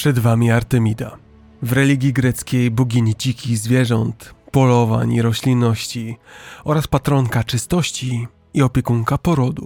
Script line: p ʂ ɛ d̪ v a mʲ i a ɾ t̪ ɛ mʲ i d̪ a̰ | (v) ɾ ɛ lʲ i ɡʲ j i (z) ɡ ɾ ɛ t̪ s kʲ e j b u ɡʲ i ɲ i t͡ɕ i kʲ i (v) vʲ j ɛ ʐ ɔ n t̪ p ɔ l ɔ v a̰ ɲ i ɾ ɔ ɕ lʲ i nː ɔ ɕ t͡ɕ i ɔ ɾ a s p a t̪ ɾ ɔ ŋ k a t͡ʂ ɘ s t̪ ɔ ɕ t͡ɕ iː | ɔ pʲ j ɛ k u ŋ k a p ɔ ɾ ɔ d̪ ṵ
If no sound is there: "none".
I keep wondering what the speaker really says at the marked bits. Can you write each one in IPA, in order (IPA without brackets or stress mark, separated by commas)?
v, none, z